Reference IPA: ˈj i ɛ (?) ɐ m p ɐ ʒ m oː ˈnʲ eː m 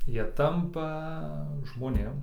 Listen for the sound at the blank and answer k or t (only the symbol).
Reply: t